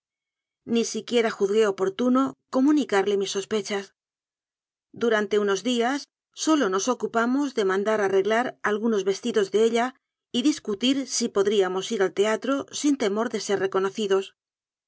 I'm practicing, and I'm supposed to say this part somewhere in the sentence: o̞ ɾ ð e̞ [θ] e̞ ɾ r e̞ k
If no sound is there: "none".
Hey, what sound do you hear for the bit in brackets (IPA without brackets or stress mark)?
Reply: s